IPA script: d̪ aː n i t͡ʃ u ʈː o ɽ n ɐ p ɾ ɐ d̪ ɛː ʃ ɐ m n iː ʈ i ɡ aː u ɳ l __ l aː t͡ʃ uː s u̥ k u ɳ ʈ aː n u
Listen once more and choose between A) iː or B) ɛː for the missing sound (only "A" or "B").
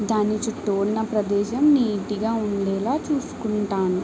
B